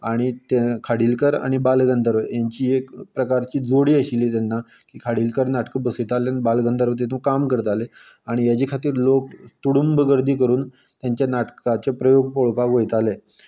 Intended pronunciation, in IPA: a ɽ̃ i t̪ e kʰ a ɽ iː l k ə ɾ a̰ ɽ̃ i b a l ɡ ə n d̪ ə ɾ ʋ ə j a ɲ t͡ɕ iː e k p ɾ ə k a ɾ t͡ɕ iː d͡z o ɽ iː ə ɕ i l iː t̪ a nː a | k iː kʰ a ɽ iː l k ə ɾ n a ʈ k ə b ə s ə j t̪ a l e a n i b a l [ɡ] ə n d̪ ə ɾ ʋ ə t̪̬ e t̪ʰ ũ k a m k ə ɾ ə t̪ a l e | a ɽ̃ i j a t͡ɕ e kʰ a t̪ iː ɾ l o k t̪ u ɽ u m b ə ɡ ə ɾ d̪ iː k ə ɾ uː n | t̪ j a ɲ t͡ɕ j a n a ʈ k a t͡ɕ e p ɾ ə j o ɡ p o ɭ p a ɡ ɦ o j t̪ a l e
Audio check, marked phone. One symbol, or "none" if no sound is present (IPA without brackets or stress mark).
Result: ɡ